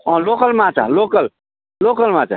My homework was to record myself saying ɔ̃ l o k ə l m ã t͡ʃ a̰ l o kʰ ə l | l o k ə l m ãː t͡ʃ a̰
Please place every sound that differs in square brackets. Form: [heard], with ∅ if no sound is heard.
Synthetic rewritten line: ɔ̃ l o k ə l m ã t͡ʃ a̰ l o [k] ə l | l o k ə l m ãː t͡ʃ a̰